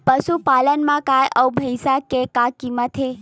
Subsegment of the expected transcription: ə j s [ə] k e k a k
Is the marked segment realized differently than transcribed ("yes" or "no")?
yes